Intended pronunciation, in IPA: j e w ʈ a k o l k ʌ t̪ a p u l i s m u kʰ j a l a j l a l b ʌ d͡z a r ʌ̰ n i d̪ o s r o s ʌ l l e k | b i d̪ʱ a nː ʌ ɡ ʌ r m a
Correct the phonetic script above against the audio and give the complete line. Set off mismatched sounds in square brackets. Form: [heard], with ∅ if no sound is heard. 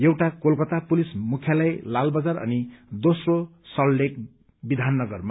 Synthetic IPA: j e w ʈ a k o l k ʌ t̪ a p u l i s m u kʰ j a l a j l a l b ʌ d͡z a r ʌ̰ n i d̪ o s r o s ʌ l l e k | b i d̪ʱ a nː ʌ ɡ ʌ r m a